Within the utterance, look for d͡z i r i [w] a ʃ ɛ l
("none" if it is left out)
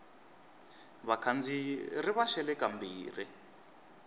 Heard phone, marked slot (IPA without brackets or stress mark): β